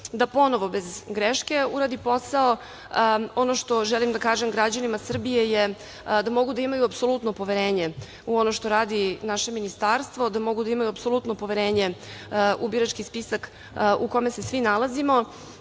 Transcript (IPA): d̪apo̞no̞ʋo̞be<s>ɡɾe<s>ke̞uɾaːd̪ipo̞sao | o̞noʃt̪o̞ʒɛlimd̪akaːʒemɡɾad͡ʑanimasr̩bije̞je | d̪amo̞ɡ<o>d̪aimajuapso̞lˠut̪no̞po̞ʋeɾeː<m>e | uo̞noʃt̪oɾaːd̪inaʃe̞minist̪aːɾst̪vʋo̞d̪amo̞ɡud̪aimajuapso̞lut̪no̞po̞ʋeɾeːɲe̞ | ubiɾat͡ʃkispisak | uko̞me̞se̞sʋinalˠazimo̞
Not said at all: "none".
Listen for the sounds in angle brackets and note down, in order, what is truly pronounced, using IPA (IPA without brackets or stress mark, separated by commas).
z, ʃ, u, ɲ